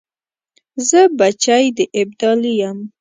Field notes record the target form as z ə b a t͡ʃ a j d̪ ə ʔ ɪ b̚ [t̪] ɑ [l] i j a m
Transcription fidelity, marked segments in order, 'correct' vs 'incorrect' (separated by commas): incorrect, correct